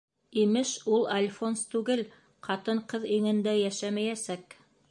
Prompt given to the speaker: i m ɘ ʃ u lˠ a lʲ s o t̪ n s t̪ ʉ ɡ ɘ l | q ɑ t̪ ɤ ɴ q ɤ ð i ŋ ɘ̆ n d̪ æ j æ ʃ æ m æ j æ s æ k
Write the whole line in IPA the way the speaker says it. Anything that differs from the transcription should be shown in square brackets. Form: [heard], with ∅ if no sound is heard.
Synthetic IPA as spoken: i m ɘ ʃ u lˠ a lʲ [f] o [∅] n s t̪ ʉ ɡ ɘ l | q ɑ t̪ ɤ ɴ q ɤ ð i ŋ ɘ̆ n d̪ æ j æ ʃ æ m æ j æ s æ k